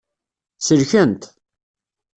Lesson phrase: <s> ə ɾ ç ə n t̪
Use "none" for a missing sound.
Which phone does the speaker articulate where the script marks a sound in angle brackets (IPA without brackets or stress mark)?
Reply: s